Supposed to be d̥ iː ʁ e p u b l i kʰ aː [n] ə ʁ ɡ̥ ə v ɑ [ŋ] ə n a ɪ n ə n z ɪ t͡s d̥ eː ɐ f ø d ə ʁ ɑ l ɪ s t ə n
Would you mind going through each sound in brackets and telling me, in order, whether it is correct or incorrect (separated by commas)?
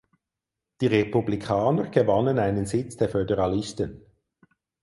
correct, incorrect